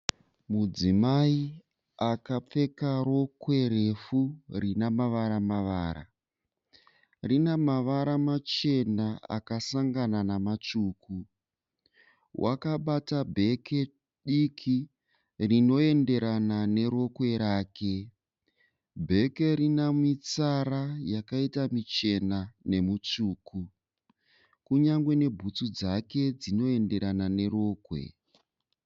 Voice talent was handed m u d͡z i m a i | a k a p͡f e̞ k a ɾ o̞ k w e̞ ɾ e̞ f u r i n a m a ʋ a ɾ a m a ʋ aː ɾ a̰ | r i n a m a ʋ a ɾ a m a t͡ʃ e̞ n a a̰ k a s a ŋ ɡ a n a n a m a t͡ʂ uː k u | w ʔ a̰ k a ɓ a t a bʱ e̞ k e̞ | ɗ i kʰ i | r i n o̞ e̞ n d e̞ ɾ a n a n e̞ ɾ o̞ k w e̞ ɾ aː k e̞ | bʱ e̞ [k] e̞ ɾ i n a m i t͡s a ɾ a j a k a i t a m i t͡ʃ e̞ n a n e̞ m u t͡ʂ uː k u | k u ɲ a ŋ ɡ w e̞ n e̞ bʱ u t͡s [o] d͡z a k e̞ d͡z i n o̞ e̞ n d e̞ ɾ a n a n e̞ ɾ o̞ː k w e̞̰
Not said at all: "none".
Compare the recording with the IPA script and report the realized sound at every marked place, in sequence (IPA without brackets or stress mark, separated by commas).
k, u